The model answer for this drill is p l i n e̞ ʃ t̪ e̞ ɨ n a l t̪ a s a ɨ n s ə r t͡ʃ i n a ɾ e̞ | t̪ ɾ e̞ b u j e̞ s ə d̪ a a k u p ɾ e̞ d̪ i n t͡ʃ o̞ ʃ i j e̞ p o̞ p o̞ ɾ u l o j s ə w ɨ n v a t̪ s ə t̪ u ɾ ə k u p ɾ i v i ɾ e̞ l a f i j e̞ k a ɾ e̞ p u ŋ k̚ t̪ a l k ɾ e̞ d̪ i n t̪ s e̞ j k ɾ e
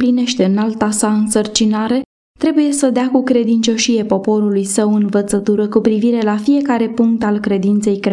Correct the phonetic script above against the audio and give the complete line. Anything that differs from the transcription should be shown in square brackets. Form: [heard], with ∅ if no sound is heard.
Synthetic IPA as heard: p l i n e̞ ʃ t̪ e̞ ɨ n a l t̪ a s a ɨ n s ə r t͡ʃ i n a ɾ e̞ | t̪ ɾ e̞ b u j e̞ s ə d̪ [e] a k u [k] ɾ e̞ d̪ i n t͡ʃ o̞ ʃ i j e̞ p o̞ p o̞ ɾ u l [u] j s ə w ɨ n v [ə] t̪ s ə t̪ u ɾ ə k u p ɾ i v i ɾ e̞ l a f i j e̞ k a ɾ e̞ p u ŋ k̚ t̪ a l k ɾ e̞ d̪ i n t̪ s e̞ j k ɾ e